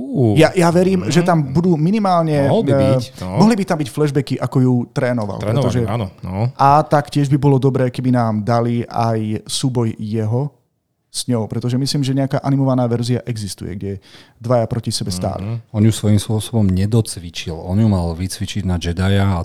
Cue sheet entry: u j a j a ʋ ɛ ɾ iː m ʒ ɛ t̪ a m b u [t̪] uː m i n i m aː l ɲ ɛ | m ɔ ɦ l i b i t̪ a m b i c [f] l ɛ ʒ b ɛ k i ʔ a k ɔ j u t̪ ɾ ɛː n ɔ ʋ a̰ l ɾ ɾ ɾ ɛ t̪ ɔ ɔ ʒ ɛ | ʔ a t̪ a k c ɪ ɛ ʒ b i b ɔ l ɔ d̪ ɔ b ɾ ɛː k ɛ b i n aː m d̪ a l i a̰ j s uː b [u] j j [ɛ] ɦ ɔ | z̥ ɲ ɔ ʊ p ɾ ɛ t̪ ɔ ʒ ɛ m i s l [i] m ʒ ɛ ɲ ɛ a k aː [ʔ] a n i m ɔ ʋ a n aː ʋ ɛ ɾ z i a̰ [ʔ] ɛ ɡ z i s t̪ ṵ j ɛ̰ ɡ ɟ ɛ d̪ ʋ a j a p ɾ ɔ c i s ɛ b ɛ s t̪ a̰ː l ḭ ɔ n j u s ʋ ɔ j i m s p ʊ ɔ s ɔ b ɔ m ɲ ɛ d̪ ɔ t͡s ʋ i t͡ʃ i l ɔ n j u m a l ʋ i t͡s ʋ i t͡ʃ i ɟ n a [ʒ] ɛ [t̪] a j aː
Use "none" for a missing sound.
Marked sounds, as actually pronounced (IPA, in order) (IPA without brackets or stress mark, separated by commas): d̪, f, ɔ, ɛ, iː, ʔ, ʔ, d͡ʒ, d̪